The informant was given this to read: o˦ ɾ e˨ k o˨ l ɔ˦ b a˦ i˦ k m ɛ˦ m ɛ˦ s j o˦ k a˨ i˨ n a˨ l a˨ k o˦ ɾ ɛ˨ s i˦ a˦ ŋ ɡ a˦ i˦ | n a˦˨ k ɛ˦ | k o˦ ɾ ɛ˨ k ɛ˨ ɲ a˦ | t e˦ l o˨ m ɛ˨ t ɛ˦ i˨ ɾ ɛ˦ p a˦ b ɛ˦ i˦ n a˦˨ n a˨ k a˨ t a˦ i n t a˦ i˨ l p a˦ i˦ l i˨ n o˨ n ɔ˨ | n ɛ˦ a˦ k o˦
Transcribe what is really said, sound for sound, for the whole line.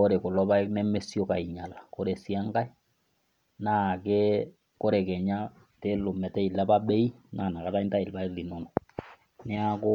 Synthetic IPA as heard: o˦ ɾ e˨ k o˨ l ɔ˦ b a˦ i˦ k n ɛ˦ m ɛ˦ s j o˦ k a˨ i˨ ɲ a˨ l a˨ k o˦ ɾ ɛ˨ s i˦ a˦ ŋ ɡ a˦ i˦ | n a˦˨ k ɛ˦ | k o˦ ɾ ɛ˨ k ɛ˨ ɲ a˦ | t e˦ l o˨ m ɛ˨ t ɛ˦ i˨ l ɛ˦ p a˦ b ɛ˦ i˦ n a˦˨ n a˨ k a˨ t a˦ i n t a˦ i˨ l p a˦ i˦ l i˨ n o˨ n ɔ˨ | n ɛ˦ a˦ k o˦